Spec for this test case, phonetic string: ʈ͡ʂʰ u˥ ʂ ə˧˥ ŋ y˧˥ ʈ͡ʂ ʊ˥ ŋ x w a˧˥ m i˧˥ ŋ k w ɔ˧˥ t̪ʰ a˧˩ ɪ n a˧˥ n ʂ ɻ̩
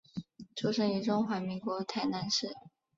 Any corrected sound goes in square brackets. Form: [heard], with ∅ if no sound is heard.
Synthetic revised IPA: ʈ͡ʂʰ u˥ ʂ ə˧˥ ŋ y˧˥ ʈ͡ʂ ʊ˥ ŋ x w a˧˥ m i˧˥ ŋ k w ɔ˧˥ t̪ʰ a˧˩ ɪ n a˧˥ n ʂ ɻ̩